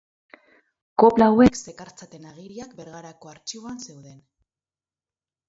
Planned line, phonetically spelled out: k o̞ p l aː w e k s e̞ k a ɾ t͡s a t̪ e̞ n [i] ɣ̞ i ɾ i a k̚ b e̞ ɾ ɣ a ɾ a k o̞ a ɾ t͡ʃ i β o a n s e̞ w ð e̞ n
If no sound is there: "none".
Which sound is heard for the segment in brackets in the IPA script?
a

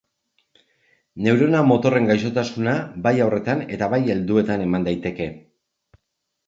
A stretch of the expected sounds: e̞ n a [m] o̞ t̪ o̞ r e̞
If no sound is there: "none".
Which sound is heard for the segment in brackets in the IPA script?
m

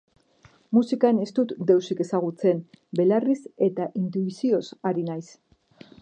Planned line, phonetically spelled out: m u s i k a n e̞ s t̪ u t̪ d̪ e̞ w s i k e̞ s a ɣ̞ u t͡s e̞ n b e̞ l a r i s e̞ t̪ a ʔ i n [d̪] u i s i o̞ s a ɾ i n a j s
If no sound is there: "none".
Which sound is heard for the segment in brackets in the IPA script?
t̪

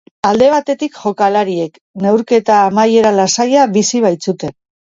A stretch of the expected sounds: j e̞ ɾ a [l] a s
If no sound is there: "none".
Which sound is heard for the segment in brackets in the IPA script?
l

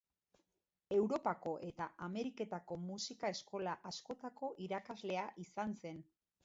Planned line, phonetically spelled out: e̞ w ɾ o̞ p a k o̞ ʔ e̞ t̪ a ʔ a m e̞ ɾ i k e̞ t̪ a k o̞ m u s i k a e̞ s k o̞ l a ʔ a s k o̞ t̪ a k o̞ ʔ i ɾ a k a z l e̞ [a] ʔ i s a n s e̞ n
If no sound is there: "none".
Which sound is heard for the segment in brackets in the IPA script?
a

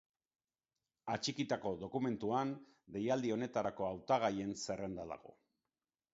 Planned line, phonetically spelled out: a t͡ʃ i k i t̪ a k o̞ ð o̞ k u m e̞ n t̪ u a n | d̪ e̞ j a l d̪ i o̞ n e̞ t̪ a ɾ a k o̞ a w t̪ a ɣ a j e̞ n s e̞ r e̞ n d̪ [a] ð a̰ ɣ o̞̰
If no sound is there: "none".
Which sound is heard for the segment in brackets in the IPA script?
a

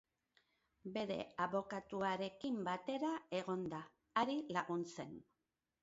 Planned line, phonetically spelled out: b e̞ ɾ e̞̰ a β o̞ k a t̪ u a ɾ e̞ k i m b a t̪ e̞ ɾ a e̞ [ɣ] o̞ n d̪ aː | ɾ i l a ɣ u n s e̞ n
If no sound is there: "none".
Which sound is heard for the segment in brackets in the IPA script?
ɣ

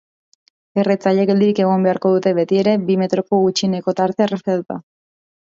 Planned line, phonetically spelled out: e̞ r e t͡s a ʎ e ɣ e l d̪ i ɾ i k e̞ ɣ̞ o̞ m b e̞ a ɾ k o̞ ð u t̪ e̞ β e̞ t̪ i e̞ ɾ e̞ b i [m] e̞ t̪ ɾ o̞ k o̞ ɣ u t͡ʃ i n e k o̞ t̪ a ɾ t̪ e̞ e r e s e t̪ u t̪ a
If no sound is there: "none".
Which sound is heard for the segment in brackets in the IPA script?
m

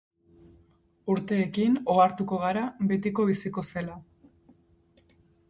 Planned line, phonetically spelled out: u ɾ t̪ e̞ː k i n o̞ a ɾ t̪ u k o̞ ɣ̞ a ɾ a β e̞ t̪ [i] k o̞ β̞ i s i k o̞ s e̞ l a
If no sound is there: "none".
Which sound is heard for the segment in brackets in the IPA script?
i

